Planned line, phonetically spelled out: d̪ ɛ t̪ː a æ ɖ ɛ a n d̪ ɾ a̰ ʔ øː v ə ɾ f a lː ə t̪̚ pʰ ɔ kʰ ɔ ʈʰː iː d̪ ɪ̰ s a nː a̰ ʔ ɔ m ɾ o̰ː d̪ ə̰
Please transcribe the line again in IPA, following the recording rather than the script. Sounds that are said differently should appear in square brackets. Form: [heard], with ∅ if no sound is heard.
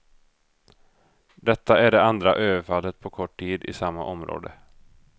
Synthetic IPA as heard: d̪ ɛ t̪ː a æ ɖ ɛ a n d̪ ɾ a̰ ʔ øː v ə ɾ f a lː ə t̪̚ pʰ ɔ kʰ ɔ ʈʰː iː d̪ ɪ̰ s a [mː] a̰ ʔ ɔ m ɾ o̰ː d̪ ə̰